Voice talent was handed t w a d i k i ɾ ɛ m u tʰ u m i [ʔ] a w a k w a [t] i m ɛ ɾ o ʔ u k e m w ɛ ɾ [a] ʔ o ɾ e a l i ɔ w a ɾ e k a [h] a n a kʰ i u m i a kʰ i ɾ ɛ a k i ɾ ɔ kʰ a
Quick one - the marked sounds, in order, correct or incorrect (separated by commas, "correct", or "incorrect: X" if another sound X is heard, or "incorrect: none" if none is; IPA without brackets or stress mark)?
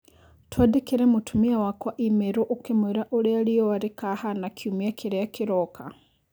incorrect: none, incorrect: ʔ, correct, correct